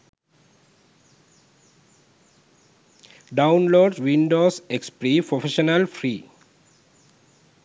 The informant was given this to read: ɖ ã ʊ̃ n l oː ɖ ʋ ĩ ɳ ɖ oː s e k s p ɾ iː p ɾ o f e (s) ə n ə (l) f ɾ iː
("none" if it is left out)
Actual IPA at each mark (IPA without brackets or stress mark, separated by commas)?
ʃ, l